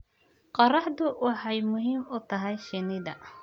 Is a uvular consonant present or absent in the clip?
present